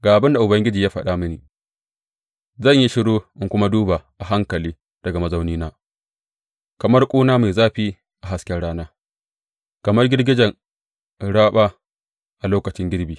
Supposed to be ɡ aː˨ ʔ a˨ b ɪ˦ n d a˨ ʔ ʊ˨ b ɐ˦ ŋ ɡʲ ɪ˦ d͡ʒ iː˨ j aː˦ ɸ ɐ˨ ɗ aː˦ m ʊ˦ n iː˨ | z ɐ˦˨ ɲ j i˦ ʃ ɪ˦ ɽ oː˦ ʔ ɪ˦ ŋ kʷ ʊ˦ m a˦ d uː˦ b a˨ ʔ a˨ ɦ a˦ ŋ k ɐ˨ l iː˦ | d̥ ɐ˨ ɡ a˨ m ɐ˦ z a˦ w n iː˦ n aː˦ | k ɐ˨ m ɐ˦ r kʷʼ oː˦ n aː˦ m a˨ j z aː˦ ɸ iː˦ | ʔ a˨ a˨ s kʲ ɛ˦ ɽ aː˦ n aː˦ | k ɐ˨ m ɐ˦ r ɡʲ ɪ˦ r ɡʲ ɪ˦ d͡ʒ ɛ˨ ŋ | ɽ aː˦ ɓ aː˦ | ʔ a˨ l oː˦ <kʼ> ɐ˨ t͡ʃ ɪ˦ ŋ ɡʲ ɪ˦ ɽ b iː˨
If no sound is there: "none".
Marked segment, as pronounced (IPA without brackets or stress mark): k